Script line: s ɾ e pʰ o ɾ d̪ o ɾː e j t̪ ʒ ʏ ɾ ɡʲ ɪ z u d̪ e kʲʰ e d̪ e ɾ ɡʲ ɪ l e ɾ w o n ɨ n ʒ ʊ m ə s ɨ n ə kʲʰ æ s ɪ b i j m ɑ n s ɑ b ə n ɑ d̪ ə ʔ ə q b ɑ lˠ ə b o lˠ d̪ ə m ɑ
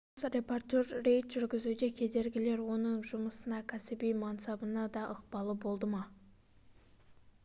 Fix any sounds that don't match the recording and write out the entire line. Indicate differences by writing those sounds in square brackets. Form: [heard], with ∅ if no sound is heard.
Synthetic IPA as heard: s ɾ e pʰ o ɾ [t̪] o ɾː e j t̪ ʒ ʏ ɾ ɡʲ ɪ z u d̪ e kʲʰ e d̪ e ɾ ɡʲ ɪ l e ɾ w o n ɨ [ŋ] ʒ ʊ m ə s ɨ n [ɑ] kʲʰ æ s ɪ b i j m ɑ n s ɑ b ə n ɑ d̪ [ɑ] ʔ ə q b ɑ lˠ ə b o lˠ d̪ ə m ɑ